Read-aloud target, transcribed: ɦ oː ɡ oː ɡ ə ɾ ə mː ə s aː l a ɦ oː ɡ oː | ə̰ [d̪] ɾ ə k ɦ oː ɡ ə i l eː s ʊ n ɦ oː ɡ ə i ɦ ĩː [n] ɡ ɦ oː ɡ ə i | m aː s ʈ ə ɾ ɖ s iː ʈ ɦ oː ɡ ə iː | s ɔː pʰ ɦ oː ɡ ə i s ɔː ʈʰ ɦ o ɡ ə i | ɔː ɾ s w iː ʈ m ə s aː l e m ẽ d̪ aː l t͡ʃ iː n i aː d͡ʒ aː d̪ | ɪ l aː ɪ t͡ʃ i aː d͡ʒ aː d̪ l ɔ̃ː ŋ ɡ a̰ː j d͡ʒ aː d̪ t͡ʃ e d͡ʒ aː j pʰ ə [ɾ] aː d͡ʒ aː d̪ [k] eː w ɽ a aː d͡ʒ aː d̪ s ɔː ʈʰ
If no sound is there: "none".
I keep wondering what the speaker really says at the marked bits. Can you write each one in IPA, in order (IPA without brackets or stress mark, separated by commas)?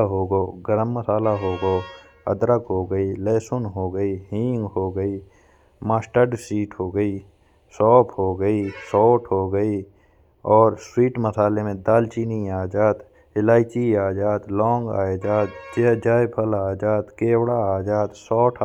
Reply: d̪, ŋ, l, k